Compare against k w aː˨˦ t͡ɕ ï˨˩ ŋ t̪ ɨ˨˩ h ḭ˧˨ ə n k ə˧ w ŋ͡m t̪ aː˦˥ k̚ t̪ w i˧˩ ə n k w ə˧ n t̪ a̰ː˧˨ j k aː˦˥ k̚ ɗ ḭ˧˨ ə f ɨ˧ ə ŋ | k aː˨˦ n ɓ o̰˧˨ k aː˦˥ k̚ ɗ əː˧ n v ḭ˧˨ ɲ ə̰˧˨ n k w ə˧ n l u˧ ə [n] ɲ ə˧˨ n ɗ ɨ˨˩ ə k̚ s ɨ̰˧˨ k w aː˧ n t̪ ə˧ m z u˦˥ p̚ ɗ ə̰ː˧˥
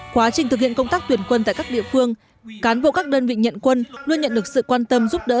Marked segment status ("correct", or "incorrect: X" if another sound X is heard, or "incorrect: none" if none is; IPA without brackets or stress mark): correct